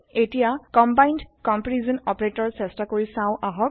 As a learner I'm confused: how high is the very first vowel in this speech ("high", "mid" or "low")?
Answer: mid